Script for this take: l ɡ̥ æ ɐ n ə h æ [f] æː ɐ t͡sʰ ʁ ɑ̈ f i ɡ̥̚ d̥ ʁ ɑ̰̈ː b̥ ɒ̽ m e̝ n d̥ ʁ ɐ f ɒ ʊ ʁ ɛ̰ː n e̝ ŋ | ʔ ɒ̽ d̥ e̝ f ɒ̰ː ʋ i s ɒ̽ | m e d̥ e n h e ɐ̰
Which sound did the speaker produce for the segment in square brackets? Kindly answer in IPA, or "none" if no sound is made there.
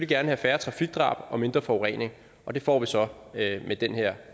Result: f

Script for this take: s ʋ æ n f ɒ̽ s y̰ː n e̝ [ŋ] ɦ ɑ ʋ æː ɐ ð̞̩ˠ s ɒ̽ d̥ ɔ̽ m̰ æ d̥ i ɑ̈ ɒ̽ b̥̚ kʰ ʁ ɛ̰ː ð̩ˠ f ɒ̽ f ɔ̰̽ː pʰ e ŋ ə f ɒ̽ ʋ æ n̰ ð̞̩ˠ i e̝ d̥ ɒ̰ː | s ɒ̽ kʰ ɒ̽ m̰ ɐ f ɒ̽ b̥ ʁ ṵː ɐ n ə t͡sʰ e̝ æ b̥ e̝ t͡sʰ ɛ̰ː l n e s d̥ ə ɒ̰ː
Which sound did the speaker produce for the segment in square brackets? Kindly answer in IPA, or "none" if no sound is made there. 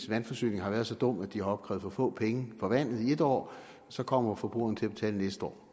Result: ŋ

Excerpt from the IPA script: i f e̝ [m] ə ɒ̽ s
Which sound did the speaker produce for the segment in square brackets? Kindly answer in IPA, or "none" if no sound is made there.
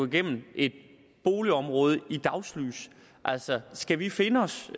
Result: n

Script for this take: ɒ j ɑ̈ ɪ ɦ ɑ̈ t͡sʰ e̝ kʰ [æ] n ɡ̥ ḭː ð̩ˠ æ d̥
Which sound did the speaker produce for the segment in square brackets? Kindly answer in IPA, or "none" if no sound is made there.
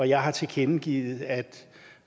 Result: e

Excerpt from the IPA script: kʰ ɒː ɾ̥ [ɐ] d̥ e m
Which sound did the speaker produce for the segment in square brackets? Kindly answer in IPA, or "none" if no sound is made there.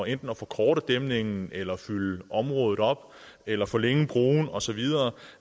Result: ə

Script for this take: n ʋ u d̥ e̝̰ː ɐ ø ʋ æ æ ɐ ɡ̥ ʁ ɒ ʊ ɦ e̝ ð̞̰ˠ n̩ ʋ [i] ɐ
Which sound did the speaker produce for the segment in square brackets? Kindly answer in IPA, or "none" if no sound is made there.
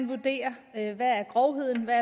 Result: æ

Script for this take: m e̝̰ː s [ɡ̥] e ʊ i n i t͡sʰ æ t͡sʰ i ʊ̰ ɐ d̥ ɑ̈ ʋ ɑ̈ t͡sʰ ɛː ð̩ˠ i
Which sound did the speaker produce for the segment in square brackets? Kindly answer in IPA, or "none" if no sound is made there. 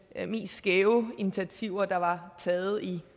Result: ɡ̥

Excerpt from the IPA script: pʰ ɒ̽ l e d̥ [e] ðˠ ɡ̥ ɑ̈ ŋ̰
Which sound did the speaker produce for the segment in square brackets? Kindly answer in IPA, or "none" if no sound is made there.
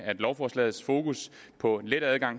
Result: æ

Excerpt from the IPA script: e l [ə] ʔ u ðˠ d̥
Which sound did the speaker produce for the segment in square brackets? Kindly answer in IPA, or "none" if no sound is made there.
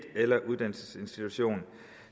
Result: ɐ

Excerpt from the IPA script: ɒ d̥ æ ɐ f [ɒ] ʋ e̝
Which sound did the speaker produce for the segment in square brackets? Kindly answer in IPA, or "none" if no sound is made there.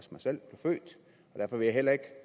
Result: ɒ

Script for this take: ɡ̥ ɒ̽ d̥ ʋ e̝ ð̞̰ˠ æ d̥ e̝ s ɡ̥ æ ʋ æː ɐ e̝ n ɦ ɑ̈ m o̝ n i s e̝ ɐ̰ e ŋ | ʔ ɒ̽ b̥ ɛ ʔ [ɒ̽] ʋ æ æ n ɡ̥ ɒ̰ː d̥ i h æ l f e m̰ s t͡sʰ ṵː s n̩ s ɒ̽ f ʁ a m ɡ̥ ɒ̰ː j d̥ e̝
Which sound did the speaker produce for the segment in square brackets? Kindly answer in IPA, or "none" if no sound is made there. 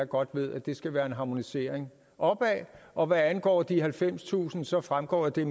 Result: ɒ̽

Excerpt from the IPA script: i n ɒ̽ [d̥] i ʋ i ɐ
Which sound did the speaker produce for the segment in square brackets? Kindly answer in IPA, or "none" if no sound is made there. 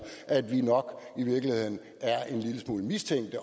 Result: ɡ̥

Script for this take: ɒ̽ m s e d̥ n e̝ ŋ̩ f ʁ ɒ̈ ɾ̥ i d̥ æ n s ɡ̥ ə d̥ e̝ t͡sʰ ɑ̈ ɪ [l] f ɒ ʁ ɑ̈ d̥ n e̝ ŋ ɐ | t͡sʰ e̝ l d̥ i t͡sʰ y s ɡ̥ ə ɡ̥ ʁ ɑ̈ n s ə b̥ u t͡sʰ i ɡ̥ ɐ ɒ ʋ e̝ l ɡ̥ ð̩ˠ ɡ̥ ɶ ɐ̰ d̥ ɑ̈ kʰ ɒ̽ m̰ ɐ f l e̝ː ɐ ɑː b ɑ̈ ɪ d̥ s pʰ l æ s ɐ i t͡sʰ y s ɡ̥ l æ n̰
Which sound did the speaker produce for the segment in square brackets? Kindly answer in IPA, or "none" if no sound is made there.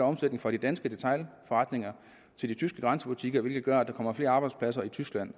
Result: l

